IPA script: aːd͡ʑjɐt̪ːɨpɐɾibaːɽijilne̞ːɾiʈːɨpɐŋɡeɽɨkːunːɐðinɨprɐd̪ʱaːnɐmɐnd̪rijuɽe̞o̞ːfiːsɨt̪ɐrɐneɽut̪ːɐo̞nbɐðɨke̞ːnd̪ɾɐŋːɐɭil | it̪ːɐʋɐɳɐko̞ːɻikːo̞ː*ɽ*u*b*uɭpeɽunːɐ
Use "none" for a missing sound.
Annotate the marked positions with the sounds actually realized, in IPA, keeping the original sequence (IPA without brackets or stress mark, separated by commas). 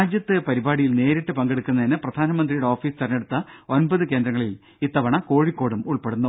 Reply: ɽ, m